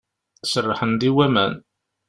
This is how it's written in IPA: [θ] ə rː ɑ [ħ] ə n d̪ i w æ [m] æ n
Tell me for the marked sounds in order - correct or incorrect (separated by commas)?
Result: incorrect, correct, correct